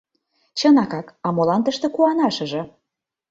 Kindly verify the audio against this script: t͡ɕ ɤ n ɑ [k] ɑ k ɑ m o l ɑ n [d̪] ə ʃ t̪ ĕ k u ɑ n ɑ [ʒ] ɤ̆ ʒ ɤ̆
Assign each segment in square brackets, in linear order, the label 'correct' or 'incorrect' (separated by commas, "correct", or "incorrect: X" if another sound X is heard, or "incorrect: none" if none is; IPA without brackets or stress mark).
correct, incorrect: t̪, incorrect: ʃ